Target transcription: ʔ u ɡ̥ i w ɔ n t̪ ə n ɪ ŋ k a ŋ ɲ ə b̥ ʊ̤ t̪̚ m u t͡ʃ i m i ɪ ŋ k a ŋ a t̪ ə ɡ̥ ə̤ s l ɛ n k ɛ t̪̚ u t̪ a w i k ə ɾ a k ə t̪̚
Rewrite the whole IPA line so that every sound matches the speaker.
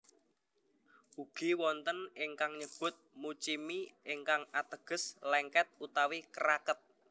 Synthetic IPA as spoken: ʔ u ɡ̥ i w ɔ n t̪ ə n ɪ ŋ k a ŋ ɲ ə b̥ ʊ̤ t̪̚ m u t͡ʃ i m i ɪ ŋ k a ŋ a t̪ ə ɡ̥ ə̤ s l ɛ ŋ k ɛ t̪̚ u t̪ a w i k ə ɾ a k ə t̪̚